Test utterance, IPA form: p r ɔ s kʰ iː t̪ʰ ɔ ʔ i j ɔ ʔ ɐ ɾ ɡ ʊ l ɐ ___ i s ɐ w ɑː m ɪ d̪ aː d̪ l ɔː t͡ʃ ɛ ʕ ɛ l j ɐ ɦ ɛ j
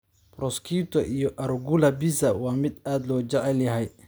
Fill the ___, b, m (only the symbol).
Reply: b